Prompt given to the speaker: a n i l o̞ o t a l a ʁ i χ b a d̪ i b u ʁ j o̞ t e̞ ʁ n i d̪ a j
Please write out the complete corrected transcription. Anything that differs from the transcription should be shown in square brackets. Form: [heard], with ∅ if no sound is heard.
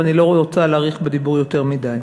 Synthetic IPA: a n i l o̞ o [t͡s] a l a ʁ i χ b [e] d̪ i b u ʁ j o̞ t e̞ ʁ [m] i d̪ a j